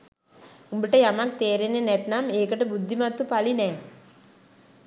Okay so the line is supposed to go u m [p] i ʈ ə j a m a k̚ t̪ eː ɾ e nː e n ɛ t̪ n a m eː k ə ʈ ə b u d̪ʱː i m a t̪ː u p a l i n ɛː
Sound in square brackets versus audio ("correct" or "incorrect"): incorrect